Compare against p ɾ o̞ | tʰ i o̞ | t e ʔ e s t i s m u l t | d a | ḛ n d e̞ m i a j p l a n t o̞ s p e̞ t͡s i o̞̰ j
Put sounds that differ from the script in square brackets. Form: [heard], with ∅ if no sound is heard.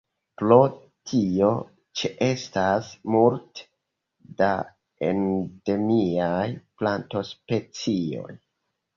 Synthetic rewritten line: p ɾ o̞ | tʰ i o̞ | [t͡ʃ] e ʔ e s t [a] s m u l t | d a | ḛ n d e̞ m i a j p l a n t o̞ s p e̞ t͡s i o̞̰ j